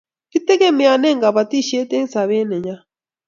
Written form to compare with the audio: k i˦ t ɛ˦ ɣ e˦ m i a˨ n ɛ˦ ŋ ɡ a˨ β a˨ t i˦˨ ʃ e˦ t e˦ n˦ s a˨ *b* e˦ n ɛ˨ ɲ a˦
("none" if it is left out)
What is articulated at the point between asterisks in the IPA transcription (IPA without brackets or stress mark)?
β